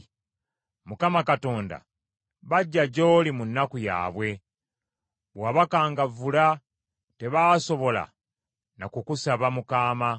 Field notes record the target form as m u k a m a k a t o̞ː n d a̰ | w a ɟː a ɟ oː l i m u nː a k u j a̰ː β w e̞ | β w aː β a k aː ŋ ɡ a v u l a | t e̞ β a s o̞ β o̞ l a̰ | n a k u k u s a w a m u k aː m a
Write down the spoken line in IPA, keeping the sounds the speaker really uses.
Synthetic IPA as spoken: m u k a m a k a t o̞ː n d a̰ | β a ɟː a ɟ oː l i m u nː a k u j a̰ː β w e̞ | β w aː β a k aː ŋ ɡ a v u l a | t e̞ β a s o̞ β o̞ l a̰ | n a k u k u s a β a m u k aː m a

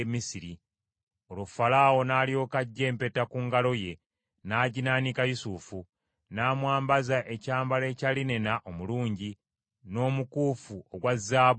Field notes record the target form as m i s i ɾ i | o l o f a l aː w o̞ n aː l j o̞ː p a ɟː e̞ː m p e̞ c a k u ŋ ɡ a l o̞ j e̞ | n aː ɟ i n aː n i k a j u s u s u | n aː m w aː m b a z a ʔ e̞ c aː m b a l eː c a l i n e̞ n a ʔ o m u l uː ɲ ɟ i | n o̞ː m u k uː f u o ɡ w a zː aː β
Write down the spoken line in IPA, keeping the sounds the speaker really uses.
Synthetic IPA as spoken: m i s i ɾ i | o l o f a l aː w o̞ n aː l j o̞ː k a ɟː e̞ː m p e̞ t a k u ŋ ɡ a l o̞ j e̞ | n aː ɟ i n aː n i k a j u s u f u | n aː m w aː m b a z a ʔ e̞ c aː m b a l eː c a l i n e̞ n a ʔ o m u l uː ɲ ɟ i | n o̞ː m u k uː f u o ɡ w a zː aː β

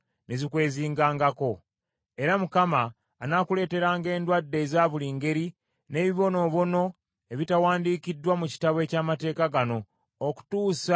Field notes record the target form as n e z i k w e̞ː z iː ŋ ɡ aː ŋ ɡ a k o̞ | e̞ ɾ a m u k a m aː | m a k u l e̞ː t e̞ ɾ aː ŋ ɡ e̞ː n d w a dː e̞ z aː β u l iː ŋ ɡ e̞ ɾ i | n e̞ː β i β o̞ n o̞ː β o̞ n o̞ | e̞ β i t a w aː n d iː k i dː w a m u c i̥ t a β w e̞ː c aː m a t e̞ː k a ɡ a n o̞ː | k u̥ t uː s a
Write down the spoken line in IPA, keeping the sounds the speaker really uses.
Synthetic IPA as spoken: n e z i k w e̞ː z iː ŋ ɡ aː ŋ ɡ a k o̞ | e̞ ɾ a m u k a m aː | n a k u l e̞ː t e̞ ɾ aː ŋ ɡ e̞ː n d w a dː e̞ z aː β u l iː ŋ ɡ e̞ ɾ i | n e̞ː β i β o̞ n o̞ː β o̞ n o̞ | e̞ β i t a w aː n d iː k i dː w a m u c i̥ t a β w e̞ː c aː m a t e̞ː k a ɡ a n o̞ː | k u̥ t uː s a

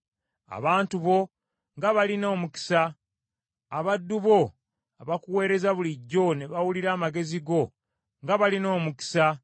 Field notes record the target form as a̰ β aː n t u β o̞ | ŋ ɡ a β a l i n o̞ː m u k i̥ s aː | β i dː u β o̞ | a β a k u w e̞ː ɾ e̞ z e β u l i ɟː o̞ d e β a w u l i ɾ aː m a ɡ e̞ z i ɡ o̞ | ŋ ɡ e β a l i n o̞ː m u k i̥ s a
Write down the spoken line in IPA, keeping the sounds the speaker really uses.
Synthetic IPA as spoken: a̰ β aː n t u β o̞ | ŋ ɡ a β a l i n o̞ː m u k i̥ s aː | β a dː u β o̞ | a β a k u w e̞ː ɾ e̞ z a β u l i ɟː o̞ n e β a w u l i ɾ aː m a ɡ e̞ z i ɡ o̞ | ŋ ɡ a β a l i n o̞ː m u k i̥ s a

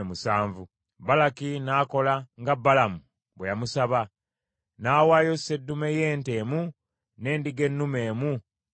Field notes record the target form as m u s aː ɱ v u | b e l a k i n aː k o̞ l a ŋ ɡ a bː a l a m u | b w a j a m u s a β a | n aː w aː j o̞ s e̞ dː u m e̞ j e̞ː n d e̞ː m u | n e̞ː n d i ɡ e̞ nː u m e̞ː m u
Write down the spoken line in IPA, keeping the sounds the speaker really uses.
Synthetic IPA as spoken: m u s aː ɱ v u | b a l a k i n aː k o̞ l a ŋ ɡ a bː a l a m u | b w e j a m u s a β a | n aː w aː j o̞ s e̞ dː u m e̞ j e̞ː n t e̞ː m u | n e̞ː n d i ɡ e̞ nː u m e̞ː m u

